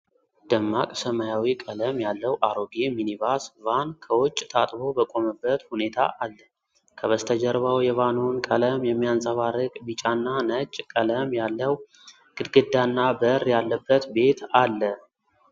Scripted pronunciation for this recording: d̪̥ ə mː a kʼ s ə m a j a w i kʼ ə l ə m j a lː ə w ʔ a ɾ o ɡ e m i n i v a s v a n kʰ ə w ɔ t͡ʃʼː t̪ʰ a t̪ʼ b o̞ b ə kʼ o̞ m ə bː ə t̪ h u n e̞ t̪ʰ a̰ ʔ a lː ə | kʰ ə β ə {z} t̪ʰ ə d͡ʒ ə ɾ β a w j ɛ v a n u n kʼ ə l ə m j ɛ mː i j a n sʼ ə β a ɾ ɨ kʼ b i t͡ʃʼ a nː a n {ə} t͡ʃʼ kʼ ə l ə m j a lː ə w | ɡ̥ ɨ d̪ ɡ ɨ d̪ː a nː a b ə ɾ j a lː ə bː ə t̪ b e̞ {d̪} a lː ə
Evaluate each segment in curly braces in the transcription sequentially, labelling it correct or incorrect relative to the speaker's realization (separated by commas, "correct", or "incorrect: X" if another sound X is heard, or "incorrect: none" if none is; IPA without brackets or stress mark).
incorrect: s, correct, incorrect: t̪